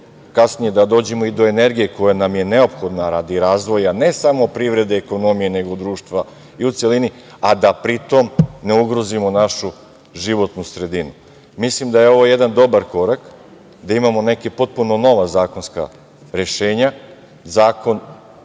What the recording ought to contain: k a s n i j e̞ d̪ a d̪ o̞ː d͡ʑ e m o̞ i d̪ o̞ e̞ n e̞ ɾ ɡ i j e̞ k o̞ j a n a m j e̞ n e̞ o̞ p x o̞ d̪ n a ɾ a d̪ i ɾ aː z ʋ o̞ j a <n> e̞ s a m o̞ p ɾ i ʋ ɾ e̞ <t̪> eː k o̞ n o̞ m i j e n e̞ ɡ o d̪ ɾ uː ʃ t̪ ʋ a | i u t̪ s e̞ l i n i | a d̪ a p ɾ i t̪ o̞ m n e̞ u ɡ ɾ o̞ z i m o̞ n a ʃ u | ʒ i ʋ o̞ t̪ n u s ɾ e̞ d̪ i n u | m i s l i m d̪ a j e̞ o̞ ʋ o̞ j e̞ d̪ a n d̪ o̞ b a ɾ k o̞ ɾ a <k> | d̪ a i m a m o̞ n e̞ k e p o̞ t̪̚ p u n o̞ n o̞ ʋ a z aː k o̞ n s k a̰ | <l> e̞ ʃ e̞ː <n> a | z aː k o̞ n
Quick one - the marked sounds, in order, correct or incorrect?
correct, incorrect: d̪, correct, incorrect: ɾ, incorrect: ɲ

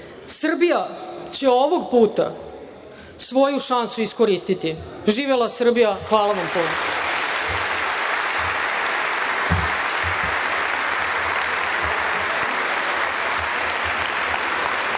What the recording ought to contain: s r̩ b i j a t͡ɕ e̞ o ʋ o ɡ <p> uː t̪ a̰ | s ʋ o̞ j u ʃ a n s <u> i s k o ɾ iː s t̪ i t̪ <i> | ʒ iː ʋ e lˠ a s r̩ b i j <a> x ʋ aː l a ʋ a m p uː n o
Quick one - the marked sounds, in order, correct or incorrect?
correct, correct, correct, correct

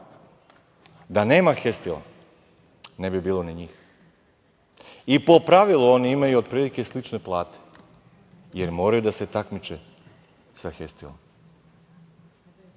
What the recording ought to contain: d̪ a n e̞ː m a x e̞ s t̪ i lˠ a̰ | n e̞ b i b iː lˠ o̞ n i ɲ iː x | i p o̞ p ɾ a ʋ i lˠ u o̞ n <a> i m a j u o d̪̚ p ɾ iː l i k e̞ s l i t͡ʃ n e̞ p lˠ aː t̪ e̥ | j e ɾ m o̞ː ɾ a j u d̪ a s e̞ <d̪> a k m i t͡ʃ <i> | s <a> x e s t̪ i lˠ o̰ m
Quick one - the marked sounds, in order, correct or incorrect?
incorrect: i, incorrect: t̪, incorrect: e, correct

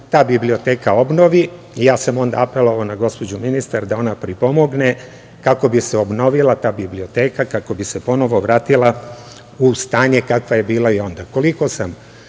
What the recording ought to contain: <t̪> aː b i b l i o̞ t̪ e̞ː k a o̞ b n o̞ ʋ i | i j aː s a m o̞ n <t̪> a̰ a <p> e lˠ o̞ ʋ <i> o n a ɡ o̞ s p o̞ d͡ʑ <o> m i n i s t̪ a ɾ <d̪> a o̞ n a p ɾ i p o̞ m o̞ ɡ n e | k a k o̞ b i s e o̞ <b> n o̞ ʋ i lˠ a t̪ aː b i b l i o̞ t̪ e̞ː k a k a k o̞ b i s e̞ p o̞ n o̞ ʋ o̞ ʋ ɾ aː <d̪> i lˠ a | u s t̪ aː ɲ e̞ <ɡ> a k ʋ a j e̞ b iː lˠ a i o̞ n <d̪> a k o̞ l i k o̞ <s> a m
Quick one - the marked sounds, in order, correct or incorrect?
correct, incorrect: d̪, correct, incorrect: a, incorrect: u, correct, correct, incorrect: t̪, incorrect: k, correct, correct

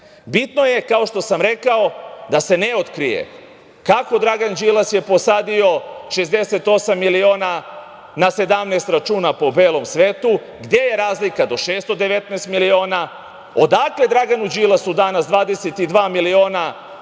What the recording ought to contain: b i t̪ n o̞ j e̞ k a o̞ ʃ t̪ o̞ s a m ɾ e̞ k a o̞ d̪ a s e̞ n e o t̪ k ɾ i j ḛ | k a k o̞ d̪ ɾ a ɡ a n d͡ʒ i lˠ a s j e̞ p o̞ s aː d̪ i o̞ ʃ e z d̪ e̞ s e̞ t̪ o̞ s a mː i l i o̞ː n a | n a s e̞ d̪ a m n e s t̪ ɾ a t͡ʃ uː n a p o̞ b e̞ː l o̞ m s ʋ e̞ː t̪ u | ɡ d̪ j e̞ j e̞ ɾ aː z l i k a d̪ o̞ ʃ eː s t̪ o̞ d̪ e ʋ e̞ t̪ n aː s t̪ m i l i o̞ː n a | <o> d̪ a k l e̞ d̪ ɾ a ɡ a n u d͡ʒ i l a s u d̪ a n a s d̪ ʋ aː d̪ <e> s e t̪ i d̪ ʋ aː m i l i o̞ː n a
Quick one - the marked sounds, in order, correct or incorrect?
correct, correct

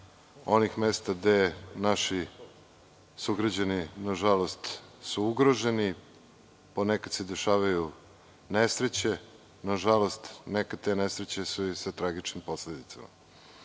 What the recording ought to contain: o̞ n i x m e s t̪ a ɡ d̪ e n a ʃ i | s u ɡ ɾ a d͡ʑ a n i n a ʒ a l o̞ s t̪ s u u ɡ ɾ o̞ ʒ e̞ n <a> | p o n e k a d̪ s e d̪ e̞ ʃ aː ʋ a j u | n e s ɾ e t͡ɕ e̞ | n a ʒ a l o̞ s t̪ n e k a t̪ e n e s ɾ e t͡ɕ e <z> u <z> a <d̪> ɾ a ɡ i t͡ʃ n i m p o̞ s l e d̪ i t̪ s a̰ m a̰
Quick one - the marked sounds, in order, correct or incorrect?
incorrect: i, incorrect: s, incorrect: s, incorrect: t̪

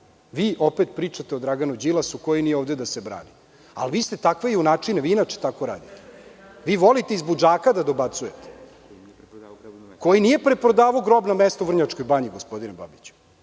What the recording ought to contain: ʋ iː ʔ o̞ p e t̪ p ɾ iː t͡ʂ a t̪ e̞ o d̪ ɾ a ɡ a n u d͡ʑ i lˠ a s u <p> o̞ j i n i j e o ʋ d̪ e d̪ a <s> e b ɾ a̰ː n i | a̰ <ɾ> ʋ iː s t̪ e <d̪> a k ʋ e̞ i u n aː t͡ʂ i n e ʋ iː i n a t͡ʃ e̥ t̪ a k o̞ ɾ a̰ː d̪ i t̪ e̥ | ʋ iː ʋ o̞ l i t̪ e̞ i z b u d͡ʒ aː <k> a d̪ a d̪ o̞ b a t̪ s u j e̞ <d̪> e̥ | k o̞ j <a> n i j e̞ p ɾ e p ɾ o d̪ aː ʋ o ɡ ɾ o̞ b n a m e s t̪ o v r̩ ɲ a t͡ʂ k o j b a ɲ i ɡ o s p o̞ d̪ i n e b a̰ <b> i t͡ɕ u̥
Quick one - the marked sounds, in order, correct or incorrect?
incorrect: k, correct, incorrect: l, incorrect: t̪, correct, incorrect: t̪, incorrect: i, correct

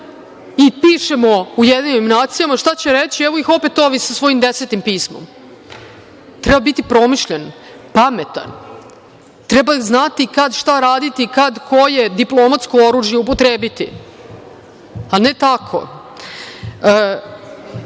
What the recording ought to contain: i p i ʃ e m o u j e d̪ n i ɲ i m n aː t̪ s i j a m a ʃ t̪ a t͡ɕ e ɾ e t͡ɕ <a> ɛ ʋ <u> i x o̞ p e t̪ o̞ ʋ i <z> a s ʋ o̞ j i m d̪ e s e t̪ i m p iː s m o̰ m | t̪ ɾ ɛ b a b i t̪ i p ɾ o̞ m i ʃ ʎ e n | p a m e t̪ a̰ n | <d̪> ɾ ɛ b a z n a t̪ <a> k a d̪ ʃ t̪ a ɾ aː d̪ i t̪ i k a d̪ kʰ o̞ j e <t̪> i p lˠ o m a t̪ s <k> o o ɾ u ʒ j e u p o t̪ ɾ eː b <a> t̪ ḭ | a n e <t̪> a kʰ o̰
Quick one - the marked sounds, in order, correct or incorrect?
incorrect: i, incorrect: o, incorrect: s, incorrect: t̪, incorrect: i, incorrect: d̪, correct, incorrect: i, correct

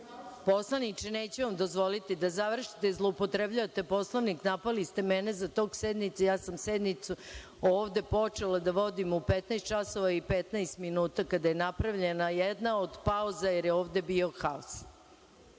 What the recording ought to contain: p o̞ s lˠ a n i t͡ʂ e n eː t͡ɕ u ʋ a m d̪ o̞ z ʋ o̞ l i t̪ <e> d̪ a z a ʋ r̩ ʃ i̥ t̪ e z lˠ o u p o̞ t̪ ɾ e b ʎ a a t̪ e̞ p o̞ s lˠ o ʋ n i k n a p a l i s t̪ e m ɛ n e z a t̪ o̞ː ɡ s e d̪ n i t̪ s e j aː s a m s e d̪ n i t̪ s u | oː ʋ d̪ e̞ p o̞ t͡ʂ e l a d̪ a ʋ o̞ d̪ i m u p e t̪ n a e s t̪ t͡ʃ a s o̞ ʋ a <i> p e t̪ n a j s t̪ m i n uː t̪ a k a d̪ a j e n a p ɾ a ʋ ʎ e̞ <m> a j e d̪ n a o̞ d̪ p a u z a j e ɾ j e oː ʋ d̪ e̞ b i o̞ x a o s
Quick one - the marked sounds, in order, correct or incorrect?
incorrect: i, correct, incorrect: n

